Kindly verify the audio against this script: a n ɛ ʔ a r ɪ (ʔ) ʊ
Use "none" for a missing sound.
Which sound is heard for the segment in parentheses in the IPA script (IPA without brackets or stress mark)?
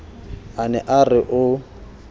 ʔ